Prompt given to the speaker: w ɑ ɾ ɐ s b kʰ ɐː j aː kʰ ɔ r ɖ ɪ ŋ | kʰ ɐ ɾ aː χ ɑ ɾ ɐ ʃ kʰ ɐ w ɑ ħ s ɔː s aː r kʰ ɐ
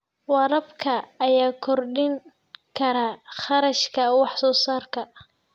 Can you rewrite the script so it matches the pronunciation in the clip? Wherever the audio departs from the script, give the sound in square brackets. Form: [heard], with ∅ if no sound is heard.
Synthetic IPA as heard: w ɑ ɾ ɐ [∅] b kʰ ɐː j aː kʰ ɔ r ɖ ɪ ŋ | kʰ ɐ ɾ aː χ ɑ ɾ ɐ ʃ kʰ ɐ w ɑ ħ s ɔː s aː r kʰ ɐ

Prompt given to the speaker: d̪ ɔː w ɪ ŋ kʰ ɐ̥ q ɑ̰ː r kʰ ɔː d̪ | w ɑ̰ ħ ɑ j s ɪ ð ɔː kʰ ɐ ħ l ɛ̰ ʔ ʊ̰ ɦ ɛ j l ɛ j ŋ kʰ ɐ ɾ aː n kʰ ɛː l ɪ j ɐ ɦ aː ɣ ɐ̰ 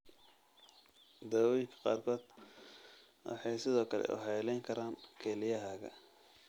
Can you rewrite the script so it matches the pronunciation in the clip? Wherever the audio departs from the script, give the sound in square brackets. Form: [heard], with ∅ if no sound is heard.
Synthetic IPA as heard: d̪ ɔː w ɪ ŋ kʰ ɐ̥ q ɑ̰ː r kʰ ɔː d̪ | w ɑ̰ ħ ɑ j s ɪ ð ɔː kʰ ɐ [∅] l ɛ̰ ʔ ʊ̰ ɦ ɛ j l ɛ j ŋ kʰ ɐ ɾ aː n kʰ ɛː l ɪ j ɐ ɦ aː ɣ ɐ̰

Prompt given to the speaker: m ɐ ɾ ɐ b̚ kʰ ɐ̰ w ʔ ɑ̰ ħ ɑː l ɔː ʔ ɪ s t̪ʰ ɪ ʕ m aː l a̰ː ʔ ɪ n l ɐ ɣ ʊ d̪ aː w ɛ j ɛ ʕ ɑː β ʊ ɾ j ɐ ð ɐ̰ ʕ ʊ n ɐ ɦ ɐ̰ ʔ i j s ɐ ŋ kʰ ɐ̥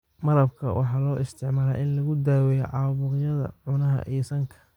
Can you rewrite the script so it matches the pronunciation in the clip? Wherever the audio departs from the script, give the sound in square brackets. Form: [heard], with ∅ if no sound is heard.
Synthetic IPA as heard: m ɐ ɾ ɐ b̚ kʰ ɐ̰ w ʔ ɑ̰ ħ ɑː l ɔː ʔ ɪ s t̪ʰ ɪ ʕ m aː l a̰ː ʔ ɪ n l ɐ ɣ ʊ d̪ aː w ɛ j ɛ ʕ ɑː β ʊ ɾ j ɐ ð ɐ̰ ʕ ʊ n ɐ ɦ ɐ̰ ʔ i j s ɐ ŋ kʰ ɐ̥

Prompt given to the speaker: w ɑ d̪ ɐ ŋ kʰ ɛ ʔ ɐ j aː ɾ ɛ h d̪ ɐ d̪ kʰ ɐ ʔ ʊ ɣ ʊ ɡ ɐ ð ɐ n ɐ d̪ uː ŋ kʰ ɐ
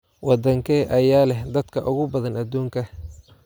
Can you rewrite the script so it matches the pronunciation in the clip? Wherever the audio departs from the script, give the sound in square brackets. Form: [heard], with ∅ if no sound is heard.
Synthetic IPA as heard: w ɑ d̪ ɐ ŋ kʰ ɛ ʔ ɐ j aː [l] ɛ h d̪ ɐ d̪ kʰ ɐ ʔ ʊ ɣ ʊ [b] ɐ ð ɐ n ɐ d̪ uː ŋ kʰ ɐ

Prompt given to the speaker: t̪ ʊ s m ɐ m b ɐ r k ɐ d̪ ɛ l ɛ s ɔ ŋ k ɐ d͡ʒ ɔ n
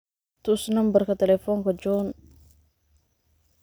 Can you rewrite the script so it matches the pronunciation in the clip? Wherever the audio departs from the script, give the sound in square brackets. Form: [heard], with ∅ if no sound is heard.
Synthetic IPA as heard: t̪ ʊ s [n] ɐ m b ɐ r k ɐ [t̪] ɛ l ɛ [f] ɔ ŋ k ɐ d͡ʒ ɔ n

